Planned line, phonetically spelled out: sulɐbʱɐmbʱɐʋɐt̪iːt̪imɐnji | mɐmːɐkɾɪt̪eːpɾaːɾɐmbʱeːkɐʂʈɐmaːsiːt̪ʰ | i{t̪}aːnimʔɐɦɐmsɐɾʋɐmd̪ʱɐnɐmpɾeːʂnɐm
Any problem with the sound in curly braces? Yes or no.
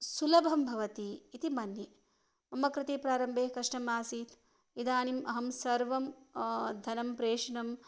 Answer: yes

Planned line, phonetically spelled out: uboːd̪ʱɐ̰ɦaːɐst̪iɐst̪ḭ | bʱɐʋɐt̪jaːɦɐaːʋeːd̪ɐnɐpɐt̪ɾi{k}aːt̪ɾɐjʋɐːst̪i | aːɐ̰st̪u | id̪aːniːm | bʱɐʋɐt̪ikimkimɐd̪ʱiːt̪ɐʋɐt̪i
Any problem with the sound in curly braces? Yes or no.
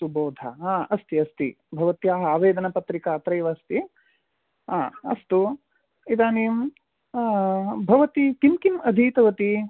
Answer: no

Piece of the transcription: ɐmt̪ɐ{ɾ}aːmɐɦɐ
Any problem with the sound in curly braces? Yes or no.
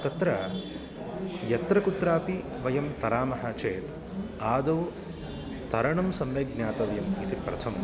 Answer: no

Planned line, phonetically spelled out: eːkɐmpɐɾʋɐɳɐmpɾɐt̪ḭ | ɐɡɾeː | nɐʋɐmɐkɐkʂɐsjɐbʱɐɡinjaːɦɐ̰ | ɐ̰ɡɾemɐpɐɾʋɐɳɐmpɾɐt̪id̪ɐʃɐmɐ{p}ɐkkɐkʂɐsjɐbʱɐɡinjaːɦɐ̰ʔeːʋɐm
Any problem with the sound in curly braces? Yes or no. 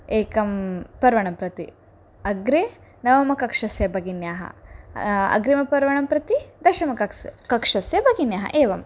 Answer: yes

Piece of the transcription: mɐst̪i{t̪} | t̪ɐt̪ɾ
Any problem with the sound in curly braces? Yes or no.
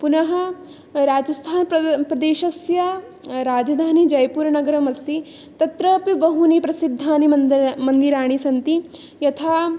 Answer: yes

